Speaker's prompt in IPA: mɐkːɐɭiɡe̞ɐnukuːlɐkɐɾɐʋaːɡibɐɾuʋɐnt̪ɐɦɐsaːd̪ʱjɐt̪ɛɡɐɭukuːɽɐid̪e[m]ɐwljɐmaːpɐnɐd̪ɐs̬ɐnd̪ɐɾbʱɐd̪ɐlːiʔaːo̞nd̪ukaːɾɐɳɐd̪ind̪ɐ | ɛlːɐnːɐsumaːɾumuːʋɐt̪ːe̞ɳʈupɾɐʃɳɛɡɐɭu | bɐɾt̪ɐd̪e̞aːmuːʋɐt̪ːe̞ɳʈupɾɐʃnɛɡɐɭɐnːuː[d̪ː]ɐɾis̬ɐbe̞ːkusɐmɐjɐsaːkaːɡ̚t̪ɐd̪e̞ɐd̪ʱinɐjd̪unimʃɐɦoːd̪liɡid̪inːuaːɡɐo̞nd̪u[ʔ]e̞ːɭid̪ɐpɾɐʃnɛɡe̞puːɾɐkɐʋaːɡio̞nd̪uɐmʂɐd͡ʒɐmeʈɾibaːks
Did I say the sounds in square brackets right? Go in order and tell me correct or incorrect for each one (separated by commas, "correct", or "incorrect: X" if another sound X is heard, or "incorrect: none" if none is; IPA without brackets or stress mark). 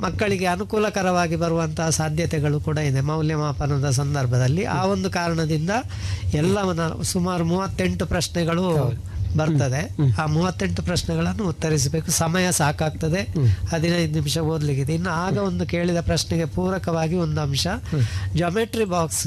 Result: correct, incorrect: t̪ː, incorrect: k